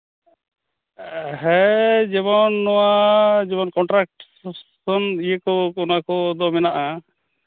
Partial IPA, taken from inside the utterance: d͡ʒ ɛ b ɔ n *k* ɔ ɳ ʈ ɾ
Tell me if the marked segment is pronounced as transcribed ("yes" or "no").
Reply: yes